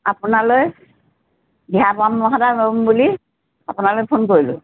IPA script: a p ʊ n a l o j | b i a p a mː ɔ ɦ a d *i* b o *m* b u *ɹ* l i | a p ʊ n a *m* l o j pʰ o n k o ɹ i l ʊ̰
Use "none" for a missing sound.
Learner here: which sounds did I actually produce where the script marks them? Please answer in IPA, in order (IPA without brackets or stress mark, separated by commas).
a, m, none, none